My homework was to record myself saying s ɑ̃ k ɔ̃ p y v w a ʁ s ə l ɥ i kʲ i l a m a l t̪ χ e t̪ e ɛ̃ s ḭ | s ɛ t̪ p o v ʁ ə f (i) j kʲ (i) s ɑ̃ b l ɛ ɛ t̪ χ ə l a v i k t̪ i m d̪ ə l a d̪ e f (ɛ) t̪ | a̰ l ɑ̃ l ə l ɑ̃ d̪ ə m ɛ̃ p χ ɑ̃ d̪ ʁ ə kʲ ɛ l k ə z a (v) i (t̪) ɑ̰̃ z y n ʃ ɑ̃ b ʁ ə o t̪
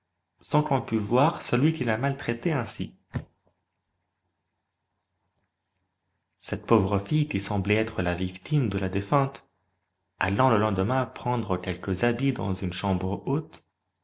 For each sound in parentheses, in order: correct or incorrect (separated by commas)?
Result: correct, correct, incorrect, incorrect, incorrect